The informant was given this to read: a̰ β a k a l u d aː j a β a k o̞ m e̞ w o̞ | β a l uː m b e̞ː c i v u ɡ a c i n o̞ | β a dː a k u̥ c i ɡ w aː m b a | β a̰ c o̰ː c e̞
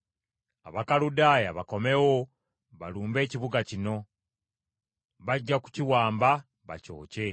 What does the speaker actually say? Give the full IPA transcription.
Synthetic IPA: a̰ β a k a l u d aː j a β a k o̞ m e̞ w o̞ | β a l uː m b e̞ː c i β u ɡ a c i n o̞ | β a ɟː a k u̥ c i w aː m b a | β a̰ c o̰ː c e̞